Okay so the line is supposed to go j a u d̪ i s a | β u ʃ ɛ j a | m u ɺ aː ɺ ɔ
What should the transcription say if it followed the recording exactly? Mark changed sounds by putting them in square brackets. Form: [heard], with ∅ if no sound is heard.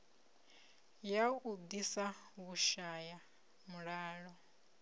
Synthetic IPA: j a u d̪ i s a | β u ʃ [a] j a | m u ɺ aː ɺ ɔ